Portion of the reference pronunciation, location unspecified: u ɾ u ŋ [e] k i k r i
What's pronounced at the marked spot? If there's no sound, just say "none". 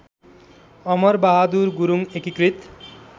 e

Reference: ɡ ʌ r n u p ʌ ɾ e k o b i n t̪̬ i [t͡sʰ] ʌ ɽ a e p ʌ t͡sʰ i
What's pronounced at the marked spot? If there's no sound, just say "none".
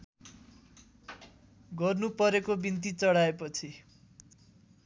t͡s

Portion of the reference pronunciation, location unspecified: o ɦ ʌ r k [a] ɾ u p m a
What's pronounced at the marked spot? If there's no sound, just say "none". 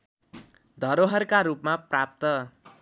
a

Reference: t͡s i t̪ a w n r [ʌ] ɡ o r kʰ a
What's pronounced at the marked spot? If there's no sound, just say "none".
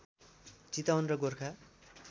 ʌ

